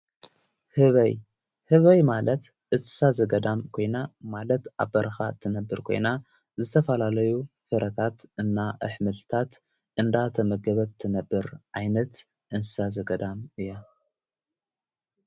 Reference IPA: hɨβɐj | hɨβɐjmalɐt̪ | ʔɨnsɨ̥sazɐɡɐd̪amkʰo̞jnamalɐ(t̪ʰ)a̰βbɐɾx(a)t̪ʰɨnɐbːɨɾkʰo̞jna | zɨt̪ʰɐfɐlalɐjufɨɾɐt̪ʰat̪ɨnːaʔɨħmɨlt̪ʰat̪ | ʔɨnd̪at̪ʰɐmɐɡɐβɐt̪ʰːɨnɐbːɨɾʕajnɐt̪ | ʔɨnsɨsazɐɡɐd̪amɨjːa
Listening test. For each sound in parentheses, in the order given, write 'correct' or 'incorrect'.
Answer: incorrect, correct

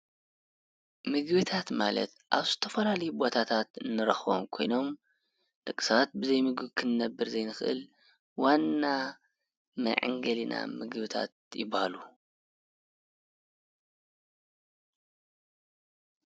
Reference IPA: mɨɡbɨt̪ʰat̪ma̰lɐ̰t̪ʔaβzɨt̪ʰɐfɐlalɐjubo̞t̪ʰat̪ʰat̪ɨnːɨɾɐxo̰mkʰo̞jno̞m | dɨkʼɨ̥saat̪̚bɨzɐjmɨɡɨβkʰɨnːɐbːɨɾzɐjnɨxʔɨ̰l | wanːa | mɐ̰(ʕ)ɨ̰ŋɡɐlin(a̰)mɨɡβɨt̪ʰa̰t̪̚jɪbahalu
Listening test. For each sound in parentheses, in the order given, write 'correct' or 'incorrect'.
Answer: correct, correct

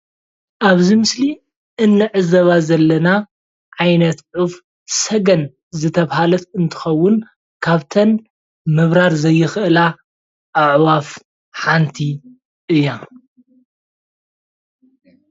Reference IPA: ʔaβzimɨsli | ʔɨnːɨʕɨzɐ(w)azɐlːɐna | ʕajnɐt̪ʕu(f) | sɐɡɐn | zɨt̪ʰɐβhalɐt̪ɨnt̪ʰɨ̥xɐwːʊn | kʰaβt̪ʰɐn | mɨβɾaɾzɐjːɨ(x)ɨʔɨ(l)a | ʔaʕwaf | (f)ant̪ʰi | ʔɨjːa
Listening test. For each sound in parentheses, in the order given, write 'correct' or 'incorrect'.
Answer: incorrect, correct, correct, correct, incorrect

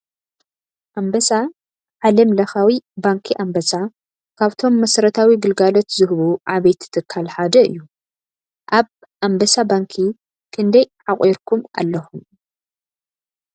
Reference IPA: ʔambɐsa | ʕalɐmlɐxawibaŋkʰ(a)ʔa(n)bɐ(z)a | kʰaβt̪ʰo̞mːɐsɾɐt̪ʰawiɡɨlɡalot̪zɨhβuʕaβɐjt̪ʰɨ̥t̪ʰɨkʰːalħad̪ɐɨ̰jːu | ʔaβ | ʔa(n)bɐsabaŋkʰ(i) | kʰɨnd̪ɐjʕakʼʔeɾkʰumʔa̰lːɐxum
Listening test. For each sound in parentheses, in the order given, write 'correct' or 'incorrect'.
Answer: incorrect, incorrect, incorrect, incorrect, correct

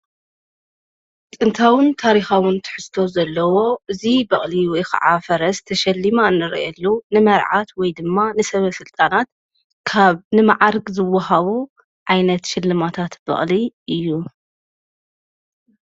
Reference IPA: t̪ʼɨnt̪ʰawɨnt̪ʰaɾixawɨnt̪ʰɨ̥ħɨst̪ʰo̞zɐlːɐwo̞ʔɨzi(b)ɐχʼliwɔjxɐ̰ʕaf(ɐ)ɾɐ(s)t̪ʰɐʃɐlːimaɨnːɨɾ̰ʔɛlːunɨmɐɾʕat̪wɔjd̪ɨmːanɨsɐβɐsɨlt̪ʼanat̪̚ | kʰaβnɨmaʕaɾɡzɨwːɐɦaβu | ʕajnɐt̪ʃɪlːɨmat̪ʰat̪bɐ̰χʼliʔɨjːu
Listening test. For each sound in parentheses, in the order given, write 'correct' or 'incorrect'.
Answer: correct, correct, correct

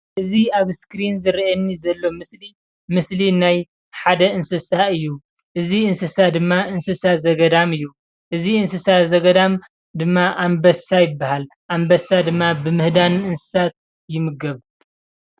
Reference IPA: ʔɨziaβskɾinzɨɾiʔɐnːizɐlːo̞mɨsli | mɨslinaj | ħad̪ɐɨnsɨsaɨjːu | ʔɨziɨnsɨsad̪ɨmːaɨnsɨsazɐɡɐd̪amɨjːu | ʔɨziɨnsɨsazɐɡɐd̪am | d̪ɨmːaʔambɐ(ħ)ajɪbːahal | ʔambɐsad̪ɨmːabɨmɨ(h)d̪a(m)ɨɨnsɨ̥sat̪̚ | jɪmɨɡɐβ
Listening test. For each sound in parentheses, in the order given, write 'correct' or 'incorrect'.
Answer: incorrect, correct, incorrect

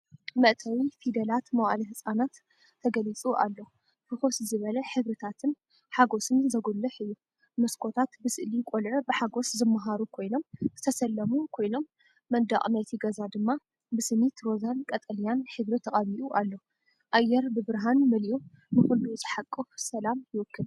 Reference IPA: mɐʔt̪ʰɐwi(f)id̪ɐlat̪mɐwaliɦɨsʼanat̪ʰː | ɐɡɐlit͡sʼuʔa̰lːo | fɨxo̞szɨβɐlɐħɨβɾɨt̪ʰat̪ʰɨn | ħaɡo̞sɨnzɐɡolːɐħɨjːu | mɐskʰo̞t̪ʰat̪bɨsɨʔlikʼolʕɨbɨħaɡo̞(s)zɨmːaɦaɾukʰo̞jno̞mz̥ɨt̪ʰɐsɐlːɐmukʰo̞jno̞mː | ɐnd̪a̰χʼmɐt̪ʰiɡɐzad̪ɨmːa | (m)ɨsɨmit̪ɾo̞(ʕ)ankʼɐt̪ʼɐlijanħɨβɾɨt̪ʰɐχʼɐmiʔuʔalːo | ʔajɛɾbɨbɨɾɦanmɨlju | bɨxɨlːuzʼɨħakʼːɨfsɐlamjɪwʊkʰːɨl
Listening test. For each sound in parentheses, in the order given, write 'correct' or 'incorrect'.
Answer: correct, correct, incorrect, incorrect

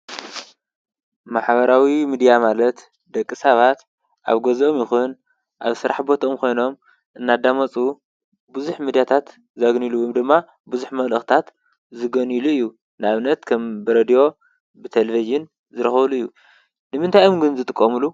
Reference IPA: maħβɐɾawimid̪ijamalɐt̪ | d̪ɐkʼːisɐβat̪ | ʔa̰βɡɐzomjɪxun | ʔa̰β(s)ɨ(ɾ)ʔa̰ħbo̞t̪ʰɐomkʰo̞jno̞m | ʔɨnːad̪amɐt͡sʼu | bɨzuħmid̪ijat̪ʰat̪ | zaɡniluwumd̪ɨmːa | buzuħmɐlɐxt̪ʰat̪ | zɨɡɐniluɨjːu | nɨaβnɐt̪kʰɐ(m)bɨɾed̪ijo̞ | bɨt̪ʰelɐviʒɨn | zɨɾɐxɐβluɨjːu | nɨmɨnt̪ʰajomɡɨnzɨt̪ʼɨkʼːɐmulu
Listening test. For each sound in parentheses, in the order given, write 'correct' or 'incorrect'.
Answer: correct, correct, correct

